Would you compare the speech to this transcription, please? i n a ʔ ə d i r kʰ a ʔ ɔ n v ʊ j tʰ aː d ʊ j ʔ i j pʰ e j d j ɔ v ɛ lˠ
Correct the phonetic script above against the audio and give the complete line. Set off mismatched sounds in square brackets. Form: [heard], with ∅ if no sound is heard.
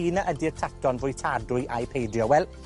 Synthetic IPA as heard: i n a ʔ ə d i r [tʰ] a [t] ɔ n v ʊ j tʰ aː d ʊ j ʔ [a] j pʰ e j d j ɔ [w] ɛ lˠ